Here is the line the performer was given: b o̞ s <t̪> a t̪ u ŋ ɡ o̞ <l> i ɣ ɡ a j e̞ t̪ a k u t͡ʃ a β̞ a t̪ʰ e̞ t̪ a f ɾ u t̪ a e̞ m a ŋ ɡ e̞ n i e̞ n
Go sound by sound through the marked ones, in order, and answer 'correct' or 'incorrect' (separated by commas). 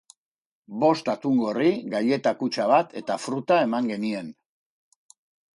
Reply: correct, incorrect